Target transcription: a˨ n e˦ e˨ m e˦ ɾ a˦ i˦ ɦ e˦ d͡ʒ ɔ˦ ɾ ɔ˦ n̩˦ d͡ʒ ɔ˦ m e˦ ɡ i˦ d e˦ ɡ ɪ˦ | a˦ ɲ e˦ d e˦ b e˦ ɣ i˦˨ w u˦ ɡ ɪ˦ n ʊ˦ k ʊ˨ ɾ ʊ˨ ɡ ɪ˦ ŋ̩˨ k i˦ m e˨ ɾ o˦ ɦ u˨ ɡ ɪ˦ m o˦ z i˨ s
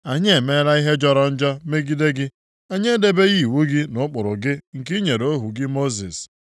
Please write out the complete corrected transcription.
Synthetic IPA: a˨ ɲ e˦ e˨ m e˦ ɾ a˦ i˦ ɦ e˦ d͡ʒ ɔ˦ ɾ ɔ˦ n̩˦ d͡ʒ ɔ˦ m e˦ ɡ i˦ d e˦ ɡ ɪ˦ | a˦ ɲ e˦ d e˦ b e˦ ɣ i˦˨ w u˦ ɡ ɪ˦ n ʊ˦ k͡p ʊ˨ ɾ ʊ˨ ɡ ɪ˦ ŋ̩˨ k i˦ ɲ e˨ ɾ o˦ ɦ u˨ ɡ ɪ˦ m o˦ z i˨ s

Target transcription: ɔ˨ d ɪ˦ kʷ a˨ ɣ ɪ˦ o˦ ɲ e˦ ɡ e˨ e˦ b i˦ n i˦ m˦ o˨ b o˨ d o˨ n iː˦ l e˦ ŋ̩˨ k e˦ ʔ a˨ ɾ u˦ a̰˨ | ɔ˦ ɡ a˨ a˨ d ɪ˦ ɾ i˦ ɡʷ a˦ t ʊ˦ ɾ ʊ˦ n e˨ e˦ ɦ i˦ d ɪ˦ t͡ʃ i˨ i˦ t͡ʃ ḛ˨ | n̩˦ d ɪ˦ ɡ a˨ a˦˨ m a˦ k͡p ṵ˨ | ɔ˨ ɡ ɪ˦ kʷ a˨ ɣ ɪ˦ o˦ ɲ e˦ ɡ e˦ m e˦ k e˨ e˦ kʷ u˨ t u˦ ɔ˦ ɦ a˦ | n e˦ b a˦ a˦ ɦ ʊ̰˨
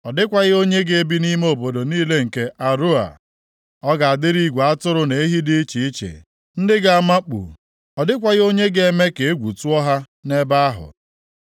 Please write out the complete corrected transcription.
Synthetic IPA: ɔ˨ d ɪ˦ kʷ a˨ ɣ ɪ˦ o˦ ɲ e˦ ɡ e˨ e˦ b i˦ n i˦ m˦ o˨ b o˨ d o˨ n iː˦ l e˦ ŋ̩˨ k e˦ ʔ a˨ ɾ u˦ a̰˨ | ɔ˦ ɡ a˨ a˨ d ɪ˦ ɾ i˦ ɡʷ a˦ t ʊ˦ ɾ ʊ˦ n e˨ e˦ ɦ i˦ d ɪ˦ t͡ʃ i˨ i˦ t͡ʃ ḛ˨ | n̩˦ d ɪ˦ ɡ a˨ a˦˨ m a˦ k͡p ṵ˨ | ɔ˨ d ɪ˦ kʷ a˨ ɣ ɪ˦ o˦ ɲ e˦ ɡ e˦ m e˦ k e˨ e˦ ɡʷ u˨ t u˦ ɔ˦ ɦ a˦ | n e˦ b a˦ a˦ ɦ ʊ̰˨

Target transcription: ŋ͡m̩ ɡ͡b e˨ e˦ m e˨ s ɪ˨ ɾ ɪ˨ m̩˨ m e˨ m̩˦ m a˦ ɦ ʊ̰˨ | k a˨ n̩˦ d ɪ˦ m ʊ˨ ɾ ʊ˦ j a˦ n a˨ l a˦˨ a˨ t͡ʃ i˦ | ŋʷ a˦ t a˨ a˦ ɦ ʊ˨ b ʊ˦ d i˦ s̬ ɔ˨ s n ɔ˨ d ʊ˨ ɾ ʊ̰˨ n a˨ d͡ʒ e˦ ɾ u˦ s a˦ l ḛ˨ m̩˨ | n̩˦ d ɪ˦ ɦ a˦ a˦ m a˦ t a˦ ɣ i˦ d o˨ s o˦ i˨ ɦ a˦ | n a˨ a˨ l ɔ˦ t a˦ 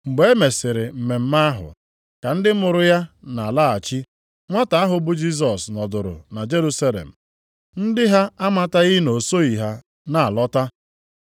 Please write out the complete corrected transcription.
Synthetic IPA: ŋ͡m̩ ɡ͡b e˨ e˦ m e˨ s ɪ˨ ɾ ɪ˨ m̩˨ m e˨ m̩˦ m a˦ ɦ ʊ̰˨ | k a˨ n̩˦ d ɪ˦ m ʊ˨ ɾ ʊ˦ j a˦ n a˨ l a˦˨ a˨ t͡ʃ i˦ | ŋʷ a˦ t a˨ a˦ ɦ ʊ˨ b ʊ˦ d͡ʒ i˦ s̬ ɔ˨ s n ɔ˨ d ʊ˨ ɾ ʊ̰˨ n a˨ d͡ʒ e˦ ɾ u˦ s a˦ l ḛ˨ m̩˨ | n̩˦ d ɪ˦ ɦ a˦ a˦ m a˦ t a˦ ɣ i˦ n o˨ s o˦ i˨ ɦ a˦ | n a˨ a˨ l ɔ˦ t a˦

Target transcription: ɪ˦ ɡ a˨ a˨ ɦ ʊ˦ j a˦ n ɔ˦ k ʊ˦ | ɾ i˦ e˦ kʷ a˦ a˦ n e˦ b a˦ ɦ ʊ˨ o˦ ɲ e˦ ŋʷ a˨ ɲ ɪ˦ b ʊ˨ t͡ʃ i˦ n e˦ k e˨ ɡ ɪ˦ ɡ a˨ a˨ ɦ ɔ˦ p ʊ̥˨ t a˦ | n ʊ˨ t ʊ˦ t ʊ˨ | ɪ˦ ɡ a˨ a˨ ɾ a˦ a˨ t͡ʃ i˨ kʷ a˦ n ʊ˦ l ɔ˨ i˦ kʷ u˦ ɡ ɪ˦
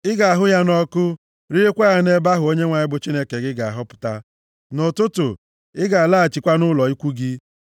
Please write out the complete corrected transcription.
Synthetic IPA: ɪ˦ ɡ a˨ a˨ ɦ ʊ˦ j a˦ n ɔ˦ k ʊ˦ | ɾ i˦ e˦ kʷ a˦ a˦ n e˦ b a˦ ɦ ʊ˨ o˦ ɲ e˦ ŋʷ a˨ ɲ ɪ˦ b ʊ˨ t͡ʃ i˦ n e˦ k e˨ ɡ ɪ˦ ɡ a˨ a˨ ɦ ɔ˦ p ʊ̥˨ t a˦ | n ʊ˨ t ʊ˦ t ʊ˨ | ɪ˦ ɡ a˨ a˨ l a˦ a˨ t͡ʃ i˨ kʷ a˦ n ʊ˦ l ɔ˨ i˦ kʷ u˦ ɡ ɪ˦

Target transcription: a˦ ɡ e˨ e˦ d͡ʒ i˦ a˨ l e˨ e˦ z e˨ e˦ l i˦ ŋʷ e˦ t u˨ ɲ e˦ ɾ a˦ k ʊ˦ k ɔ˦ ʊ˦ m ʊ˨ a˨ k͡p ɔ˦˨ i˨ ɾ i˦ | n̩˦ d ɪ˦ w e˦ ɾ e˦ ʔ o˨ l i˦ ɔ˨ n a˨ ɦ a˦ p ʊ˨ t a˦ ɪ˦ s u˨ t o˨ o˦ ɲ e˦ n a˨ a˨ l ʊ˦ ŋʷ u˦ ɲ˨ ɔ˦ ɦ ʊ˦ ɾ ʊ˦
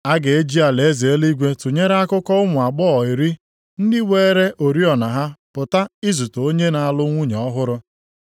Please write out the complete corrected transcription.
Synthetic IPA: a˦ ɡ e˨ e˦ d͡ʒ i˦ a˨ l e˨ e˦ z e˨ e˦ l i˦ ɡʷ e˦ t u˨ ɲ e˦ ɾ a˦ k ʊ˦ k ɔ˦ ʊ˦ m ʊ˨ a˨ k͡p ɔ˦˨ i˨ ɾ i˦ | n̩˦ d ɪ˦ w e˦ ɾ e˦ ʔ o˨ ɾ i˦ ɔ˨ n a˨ ɦ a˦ p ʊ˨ t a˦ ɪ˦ z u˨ t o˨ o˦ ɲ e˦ n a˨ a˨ l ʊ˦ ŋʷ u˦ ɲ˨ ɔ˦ ɦ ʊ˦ ɾ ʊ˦

